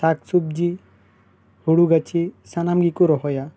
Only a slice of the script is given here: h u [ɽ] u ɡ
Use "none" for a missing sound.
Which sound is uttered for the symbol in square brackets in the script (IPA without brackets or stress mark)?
ɽ